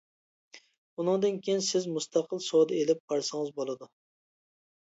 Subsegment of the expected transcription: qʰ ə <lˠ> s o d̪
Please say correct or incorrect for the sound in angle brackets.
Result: correct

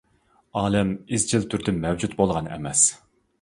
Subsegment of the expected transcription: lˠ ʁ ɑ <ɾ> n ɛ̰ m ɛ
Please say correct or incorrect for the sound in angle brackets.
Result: incorrect: none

